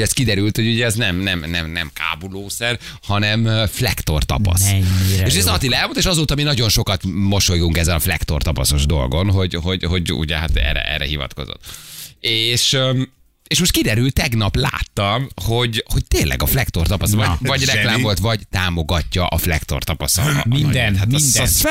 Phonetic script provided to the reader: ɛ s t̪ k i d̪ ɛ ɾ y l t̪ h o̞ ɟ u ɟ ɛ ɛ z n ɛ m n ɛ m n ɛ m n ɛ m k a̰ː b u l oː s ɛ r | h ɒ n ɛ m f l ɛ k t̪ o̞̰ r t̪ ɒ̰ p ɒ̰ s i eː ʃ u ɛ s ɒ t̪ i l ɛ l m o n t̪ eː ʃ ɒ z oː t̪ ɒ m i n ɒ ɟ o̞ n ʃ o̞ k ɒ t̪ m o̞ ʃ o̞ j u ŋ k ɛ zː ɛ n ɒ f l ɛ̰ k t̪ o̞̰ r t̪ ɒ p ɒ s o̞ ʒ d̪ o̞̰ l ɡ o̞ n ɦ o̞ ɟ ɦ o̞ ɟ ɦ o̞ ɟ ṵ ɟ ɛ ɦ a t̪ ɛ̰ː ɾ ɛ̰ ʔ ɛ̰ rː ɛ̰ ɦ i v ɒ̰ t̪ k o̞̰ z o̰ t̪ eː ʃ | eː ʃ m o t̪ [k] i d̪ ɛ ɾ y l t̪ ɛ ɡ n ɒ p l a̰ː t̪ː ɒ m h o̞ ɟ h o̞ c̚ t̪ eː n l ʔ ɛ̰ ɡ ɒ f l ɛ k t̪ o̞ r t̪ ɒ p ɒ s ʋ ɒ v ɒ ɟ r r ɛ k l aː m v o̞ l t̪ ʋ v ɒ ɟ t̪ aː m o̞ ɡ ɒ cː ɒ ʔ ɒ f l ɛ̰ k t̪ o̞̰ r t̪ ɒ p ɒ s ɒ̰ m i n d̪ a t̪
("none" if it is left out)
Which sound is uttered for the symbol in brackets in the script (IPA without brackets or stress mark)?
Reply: k